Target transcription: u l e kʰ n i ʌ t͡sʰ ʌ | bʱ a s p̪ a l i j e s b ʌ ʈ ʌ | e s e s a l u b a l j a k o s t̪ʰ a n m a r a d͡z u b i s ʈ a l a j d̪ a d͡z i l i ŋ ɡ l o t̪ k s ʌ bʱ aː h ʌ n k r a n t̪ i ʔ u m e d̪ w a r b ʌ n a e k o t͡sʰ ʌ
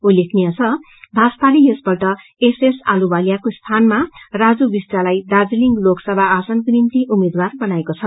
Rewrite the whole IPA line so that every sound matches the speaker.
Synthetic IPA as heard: u l e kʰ n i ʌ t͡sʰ ʌ | bʱ a s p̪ a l i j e s b ʌ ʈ ʌ | e s e s a l u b a l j a k o s t̪ʰ a n m a r a d͡z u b i s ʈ a l a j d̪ a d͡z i l i ŋ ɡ l o k s ʌ bʱ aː s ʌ n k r i n t̪ i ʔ u m e d̪ w a r b ʌ n a e k o t͡sʰ ʌ